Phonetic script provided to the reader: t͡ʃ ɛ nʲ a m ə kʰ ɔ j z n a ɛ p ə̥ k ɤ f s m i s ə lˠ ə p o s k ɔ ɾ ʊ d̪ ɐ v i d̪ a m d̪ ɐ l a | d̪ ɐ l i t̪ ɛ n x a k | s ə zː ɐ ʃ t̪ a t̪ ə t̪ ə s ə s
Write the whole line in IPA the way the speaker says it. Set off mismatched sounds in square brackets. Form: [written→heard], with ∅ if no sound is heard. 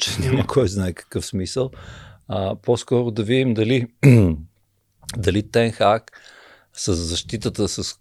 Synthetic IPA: t͡ʃ ɛ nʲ a m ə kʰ ɔ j z n a ɛ [p→k] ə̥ k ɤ f s m i s ə lˠ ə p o s k ɔ ɾ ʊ d̪ ɐ v i d̪ [a→i] m d̪ ɐ l [a→i] | d̪ ɐ l i t̪ ɛ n x a k | s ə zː ɐ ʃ t̪ [a→i] t̪ ə t̪ ə s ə s